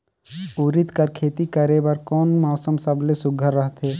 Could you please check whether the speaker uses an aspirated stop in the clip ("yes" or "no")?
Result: yes